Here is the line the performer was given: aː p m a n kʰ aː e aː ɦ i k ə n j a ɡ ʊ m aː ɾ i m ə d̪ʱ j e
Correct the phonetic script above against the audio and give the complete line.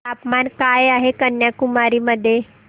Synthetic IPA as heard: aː p m a n k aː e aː ɦ e k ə n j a k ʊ m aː ɾ i m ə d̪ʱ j e